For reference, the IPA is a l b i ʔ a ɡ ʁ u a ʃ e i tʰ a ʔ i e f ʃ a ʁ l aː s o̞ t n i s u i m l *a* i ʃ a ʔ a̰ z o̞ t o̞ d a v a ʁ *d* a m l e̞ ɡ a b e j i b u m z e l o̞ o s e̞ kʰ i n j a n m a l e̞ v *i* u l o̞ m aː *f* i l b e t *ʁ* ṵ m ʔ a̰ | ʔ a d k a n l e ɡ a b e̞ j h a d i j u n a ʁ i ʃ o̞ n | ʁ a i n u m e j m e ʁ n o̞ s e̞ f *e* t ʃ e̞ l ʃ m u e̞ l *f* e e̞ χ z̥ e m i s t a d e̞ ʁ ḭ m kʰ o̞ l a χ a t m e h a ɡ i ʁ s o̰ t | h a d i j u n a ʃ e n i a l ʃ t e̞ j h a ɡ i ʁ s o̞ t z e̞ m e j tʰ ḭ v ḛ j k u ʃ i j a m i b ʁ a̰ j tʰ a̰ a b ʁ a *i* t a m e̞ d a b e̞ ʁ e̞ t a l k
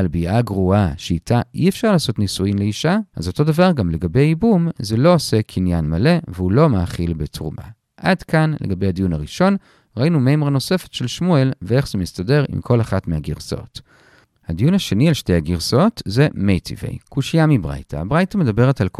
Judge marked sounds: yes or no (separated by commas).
no, no, no, no, yes, yes, no, no